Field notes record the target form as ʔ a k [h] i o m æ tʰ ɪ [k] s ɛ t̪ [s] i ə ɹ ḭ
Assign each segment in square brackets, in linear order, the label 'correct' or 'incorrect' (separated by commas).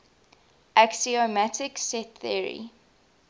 incorrect, correct, incorrect